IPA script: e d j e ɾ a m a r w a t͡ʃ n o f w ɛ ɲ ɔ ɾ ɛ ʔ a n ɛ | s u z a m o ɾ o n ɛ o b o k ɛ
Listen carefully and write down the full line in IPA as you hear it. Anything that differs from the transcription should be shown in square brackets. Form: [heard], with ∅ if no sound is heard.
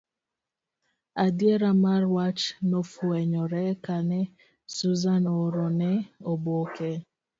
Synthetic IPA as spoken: [a] d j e ɾ a m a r w a t͡ʃ n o f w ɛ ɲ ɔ ɾ ɛ [k] a n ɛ | s u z a [n] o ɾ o n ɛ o b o k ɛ